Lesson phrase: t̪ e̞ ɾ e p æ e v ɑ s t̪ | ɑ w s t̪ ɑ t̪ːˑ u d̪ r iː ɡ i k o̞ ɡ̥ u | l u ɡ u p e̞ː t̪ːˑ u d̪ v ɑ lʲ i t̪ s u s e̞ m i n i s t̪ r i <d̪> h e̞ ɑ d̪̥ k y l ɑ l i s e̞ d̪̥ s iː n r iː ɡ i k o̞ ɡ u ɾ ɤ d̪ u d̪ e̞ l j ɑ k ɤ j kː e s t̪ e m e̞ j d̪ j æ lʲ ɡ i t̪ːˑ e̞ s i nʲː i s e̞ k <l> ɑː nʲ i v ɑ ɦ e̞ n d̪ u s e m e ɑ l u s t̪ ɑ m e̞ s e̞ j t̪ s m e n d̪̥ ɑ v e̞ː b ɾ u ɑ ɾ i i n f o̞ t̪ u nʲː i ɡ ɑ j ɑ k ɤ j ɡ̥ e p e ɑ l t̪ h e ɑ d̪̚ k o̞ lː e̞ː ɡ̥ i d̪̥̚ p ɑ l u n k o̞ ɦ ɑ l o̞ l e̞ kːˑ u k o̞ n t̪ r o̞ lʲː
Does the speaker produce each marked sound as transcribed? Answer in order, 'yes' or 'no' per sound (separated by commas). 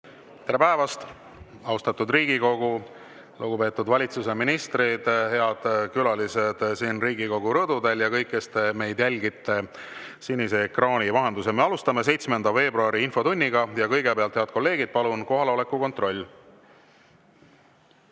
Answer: yes, no